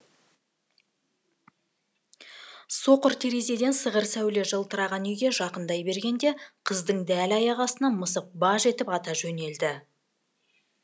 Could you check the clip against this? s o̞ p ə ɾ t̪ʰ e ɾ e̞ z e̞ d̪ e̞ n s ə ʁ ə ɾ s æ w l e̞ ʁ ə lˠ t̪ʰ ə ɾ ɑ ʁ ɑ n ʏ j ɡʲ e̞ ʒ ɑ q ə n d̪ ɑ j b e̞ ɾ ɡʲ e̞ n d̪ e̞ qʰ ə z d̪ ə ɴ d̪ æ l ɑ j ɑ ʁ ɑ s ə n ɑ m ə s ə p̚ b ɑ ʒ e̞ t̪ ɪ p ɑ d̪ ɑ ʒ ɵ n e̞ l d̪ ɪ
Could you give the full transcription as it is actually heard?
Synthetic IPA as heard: s o̞ q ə ɾ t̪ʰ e ɾ e̞ z e̞ d̪ e̞ n s ə ʁ ə ɾ s æ w l e̞ ʒ ə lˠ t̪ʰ ə ɾ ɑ ʁ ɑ n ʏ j ɡʲ e̞ ʒ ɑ q ə n d̪ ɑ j b e̞ ɾ ɡʲ e̞ n d̪ e̞ qʰ ə z d̪ ə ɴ d̪ æ l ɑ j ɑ ʁ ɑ s ə n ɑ m ə s ə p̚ b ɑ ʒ e̞ t̪ ɪ p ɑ t̪ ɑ ʒ ɵ n e̞ l d̪ ɪ

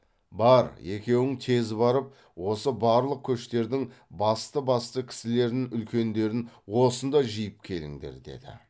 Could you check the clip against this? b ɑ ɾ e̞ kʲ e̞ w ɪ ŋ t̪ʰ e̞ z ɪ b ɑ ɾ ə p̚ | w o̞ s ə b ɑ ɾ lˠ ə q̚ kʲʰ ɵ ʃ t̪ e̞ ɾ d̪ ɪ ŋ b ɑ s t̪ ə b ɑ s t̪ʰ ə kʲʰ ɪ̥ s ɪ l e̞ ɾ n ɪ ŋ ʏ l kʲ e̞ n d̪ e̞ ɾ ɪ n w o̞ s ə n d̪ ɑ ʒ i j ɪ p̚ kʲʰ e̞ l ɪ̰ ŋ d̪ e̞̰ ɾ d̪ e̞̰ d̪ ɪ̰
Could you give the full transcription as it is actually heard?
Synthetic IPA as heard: b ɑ ɾ e̞ kʲ e̞ w ɪ ŋ t̪ʰ e̞ z ɪ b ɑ ɾ ə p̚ | w o̞ s ə b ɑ ɾ lˠ ə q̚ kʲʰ ɵ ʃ t̪ e̞ ɾ d̪ ɪ ŋ b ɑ s t̪ ə b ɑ s t̪ ə kʲʰ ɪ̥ s ɪ l e̞ ɾ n ɪ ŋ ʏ l kʲ e̞ n d̪ e̞ ɾ ɪ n w o̞ s ə n d̪ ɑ ʒ i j ɪ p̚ kʲʰ e̞ l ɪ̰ ŋ d̪ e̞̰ ɾ d̪ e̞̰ d̪ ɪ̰

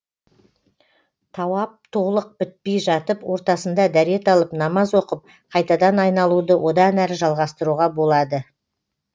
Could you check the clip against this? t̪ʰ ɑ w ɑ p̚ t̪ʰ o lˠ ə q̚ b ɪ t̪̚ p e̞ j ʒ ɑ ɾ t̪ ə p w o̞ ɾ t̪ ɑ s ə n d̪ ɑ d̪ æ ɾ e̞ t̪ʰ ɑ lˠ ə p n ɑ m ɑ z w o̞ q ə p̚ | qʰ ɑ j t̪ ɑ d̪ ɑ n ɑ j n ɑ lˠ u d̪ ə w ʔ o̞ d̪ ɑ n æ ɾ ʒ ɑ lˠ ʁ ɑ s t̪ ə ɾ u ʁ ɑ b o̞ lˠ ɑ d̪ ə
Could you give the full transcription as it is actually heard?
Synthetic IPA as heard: t̪ʰ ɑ w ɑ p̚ t̪ʰ o lˠ ə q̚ b ɪ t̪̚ p e̞ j ʒ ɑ t̪ ə p w o̞ ɾ t̪ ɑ s ə n d̪ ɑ d̪ æ ɾ e̞ t̪ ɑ lˠ ə p n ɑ m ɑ z w o̞ q ə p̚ | qʰ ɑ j t̪ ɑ d̪ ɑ n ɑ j n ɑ lˠ u d̪ ə w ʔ o̞ d̪ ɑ n æ ɾ ʒ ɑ lˠ ʁ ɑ s t̪ ə ɾ u ʁ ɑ b o̞ lˠ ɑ d̪ ə

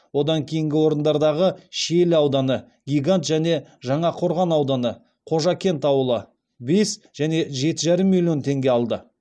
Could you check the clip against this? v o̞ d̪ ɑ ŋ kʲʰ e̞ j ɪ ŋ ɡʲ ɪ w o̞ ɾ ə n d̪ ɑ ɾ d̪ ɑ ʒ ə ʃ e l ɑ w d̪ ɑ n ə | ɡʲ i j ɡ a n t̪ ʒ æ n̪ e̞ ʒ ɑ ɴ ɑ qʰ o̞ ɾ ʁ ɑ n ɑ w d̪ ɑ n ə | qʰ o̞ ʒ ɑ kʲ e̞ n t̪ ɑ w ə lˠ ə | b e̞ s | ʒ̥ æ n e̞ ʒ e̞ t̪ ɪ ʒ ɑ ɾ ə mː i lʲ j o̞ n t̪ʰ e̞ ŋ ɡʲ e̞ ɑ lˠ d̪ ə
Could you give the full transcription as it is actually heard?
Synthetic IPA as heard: w o̞ d̪ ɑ ŋ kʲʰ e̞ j ɪ ŋ ɡʲ ɪ w o̞ ɾ ə n d̪ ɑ ɾ d̪ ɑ ʁ ə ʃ e l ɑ w d̪ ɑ n ə | ɡʲ i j ɡ a n t̪ ʒ æ n̪ e̞ ʒ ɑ ɴ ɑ qʰ o̞ ɾ ʁ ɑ n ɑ w d̪ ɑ n ə | qʰ o̞ ʒ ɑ kʲ e̞ n t̪ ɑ w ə lˠ ə | b e̞ s | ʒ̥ æ n e̞ ʒ e̞ t̪ ɪ ʒ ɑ ɾ ə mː i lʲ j o̞ n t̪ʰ e̞ ŋ ɡʲ e̞ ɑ lˠ d̪ ə

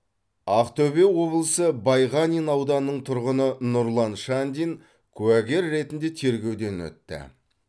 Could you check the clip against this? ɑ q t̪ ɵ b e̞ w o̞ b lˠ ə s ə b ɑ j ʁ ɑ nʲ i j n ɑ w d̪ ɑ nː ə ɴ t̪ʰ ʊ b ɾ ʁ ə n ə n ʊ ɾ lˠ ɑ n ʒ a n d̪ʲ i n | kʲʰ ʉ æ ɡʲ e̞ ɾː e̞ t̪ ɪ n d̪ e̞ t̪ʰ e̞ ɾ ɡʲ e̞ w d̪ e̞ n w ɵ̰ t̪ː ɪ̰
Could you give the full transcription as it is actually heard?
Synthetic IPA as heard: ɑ q t̪ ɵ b e̞ w o̞ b lˠ ə s ə b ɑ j ʁ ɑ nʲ i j n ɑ w d̪ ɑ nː ə ɴ t̪ʰ ʊ ɾ ʁ ə n ə n ʊ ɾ lˠ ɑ n ʃ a n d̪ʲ i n | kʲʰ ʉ æ ɡʲ e̞ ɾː e̞ t̪ ɪ n d̪ e̞ t̪ʰ e̞ ɾ ɡʲ e̞ w d̪ e̞ n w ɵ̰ t̪ː ɪ̰

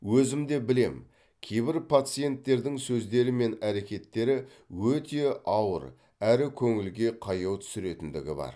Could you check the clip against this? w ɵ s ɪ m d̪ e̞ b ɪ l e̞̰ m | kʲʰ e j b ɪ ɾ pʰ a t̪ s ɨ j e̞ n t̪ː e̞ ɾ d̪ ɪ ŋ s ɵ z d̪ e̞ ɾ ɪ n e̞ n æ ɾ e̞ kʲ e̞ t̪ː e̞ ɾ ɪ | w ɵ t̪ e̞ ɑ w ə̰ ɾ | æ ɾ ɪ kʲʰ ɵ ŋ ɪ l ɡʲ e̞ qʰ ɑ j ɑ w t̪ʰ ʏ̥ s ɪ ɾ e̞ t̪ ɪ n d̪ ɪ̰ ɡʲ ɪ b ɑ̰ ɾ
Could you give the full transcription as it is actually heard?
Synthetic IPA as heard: w ɵ z ɪ m d̪ e̞ b ɪ l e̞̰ m | kʲʰ e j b ɪ ɾ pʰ a t̪ s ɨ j e̞ n t̪ː e̞ ɾ d̪ ɪ ŋ s ɵ z d̪ e̞ ɾ ɪ m e̞ n æ ɾ e̞ kʲ e̞ t̪ː e̞ ɾ ɪ | w ɵ t̪ e̞ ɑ w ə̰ ɾ | æ ɾ ɪ kʲʰ ɵ ŋ ɪ l ɡʲ e̞ qʰ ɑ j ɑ w t̪ʰ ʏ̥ s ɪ ɾ e̞ t̪ ɪ n d̪ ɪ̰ ɡʲ ɪ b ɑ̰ ɾ

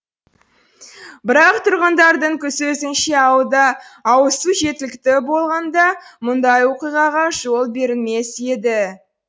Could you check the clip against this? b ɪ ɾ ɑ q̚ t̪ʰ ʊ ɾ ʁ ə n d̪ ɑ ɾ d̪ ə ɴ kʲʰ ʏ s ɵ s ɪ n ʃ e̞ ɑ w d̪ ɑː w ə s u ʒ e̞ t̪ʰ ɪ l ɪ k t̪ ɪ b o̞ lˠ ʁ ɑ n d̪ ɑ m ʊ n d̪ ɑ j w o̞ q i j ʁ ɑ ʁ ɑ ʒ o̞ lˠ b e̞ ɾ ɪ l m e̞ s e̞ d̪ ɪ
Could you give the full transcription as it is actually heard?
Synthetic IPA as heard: b ɪ ɾ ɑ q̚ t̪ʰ ʊ ɾ ʁ ə n d̪ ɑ ɾ d̪ ə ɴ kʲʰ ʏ s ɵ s ɪ n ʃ e̞ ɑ w d̪ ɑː w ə s u ʒ e̞ t̪ ɪ l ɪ k t̪ ɪ b o̞ lˠ ʁ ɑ n d̪ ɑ m ʊ n d̪ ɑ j w o̞ q i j ʁ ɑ ʁ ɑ ʒ o̞ lˠ b e̞ ɾ ɪ l m e̞ s e̞ d̪ ɪ

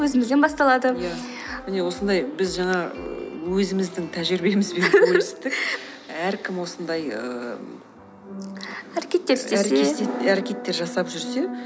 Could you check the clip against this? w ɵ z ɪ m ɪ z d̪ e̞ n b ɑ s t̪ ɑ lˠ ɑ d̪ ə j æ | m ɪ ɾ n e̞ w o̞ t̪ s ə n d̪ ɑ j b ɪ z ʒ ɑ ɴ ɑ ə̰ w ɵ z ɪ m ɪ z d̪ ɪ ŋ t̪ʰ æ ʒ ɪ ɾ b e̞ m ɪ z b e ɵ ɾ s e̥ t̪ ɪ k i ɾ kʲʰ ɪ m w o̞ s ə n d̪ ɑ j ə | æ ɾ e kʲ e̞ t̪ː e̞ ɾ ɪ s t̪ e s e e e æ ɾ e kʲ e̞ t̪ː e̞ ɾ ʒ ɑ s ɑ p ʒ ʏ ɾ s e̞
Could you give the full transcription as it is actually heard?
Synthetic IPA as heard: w ɵ z ɪ m ɪ z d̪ e̞ n b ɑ s t̪ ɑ lˠ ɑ d̪ ə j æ | m ɪ n e̞ w o̞ s ə n d̪ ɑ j b ɪ z ʒ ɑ ɴ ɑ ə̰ w ɵ z ɪ m ɪ z d̪ ɪ ŋ t̪ʰ æ ʒ ɪ ɾ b e̞ m ɪ z b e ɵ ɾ s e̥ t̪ ɪ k æ ɾ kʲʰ ɪ m w o̞ s ə n d̪ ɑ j ə | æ ɾ e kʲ e̞ t̪ː e̞ ɾ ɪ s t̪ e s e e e æ ɾ e kʲ e̞ t̪ː e̞ ɾ ʒ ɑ s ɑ p ʒ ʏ ɾ s e̞

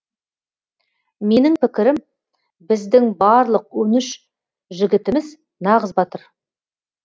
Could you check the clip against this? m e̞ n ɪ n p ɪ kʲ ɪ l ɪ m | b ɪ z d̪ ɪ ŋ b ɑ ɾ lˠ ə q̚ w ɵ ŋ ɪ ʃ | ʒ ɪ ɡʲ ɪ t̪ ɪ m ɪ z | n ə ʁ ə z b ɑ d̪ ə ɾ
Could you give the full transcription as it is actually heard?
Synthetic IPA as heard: m e̞ n ɪ ŋ p ɪ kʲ ɪ ɾ ɪ m | b ɪ z d̪ ɪ ŋ b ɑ ɾ lˠ ə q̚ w ɵ n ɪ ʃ | ʒ ɪ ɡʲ ɪ t̪ ɪ m ɪ z | n ɑ ʁ ə z b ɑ t̪ ə ɾ

